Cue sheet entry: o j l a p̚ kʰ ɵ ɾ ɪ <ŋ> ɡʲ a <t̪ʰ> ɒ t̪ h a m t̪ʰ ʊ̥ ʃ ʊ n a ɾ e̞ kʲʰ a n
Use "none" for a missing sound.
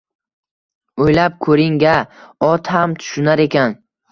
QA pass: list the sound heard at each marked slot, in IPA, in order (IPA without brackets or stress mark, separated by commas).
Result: ŋ, none